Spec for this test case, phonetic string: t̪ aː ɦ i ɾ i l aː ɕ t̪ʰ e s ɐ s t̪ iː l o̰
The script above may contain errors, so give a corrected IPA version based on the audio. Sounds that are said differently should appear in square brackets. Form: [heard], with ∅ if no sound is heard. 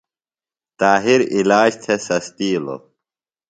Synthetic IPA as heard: t̪ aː ɦ i ɾ i l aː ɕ t̪ʰ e s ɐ s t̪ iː l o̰